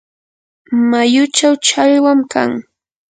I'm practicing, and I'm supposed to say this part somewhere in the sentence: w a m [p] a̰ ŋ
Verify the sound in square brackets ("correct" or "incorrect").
incorrect